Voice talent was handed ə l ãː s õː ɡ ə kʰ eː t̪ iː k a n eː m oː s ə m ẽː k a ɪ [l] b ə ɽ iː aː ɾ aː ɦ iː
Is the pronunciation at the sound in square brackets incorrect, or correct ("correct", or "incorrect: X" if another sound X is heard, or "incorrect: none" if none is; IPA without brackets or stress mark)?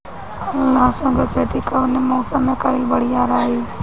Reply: correct